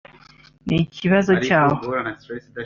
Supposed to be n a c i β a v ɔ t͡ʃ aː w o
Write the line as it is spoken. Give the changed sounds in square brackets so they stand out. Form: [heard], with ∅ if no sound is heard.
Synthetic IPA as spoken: n [i] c i β a [z] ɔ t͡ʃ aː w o